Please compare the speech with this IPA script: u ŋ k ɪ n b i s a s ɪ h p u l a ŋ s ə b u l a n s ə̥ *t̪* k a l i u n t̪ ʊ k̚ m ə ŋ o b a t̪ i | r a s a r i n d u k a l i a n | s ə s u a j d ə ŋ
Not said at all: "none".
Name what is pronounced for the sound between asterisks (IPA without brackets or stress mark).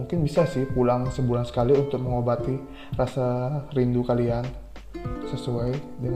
none